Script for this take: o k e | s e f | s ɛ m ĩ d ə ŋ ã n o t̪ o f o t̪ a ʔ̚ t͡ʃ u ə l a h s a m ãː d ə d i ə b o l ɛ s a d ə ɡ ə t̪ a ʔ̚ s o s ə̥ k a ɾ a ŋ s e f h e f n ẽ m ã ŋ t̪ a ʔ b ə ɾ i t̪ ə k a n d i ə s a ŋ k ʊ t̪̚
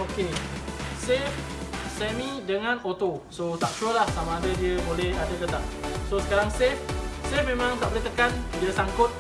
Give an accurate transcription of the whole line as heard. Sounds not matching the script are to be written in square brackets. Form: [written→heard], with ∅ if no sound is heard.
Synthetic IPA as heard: o k e | s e f | s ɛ m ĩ d ə ŋ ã n o t̪ o [f→s] o t̪ a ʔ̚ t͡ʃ u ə l a h s a m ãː d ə d i ə b o l ɛ [s→h] a d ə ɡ ə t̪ a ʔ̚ s o s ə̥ k a ɾ a ŋ s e f [h→s] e f [n→m] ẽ m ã ŋ t̪ a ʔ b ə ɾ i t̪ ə k a n d i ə s a ŋ k ʊ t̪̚